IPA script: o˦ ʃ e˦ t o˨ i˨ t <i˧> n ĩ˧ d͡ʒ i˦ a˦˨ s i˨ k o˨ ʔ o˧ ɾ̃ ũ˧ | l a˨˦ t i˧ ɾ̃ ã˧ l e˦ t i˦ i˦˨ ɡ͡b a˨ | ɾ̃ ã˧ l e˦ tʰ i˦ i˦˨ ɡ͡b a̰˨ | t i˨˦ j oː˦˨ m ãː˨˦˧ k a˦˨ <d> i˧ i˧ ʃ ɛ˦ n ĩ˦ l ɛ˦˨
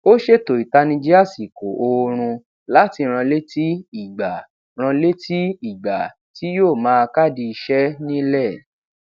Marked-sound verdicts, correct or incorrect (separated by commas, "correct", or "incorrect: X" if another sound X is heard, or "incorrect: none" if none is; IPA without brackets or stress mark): incorrect: a˧, correct